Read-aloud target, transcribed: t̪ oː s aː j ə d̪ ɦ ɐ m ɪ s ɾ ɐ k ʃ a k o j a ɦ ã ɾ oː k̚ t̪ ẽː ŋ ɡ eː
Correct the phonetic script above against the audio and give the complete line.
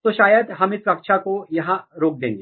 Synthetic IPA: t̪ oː ʃ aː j ə d̪ ɦ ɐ m ɪ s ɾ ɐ k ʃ a k o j ɐ ɦ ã ɾ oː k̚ d̪ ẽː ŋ ɡ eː